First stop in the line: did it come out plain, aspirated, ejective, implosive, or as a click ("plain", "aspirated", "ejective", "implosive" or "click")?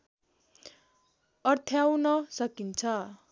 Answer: aspirated